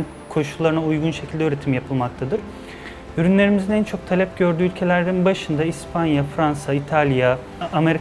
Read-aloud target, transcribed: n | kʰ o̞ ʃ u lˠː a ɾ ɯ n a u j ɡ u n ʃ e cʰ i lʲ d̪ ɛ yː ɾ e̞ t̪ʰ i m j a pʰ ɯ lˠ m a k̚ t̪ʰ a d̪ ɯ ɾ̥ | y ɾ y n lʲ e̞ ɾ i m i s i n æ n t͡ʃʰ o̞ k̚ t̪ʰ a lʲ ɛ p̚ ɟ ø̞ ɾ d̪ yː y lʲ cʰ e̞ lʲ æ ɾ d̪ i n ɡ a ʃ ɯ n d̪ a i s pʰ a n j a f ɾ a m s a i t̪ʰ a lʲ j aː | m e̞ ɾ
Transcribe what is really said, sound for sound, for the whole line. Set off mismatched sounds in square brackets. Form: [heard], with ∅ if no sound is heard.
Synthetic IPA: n | kʰ o̞ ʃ u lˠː a ɾ ɯ n a u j ɡ u n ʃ e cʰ i lʲ d̪ ɛ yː ɾ e̞ t̪ʰ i m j a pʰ ɯ lˠ m a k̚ t̪ʰ a d̪ ɯ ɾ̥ | y ɾ y n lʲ e̞ ɾ i m i [z] i n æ n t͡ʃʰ o̞ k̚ t̪ʰ a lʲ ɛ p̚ ɟ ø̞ ɾ d̪ yː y lʲ cʰ e̞ lʲ æ ɾ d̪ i n [b] a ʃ ɯ n d̪ a i s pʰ a n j a f ɾ a [n] s a i t̪ʰ a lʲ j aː | m e̞ ɾ